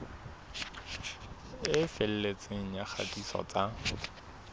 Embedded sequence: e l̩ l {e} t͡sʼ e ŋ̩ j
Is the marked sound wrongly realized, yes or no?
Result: no